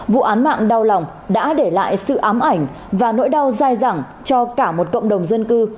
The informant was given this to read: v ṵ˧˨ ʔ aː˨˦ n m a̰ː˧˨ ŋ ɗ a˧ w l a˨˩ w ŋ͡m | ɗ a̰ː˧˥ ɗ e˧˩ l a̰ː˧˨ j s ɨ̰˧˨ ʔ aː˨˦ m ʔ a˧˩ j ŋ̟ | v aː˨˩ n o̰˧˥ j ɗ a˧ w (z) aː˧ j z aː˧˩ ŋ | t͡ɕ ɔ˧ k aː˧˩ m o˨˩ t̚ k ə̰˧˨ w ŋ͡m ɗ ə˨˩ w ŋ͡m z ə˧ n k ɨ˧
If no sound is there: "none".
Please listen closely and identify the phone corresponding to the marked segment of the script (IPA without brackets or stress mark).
z